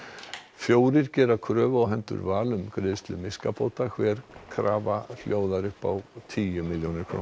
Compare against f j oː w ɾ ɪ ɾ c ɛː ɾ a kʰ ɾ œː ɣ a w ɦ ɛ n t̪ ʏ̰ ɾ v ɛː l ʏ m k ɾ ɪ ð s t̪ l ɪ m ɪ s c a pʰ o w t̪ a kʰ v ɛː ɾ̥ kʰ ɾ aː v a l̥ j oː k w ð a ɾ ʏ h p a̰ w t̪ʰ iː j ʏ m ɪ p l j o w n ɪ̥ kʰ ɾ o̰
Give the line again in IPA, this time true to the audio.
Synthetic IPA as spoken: f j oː w ɾ ɪ ɾ c ɛː ɾ a kʰ ɾ œː v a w ɦ ɛ n t̪ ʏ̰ ɾ v aː l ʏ m k ɾ ɪ ð s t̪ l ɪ m ɪ s k a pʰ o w t̪ a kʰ v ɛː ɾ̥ kʰ ɾ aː v a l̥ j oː w ð a ɾ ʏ h p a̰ w t̪ʰ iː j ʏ m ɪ l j o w n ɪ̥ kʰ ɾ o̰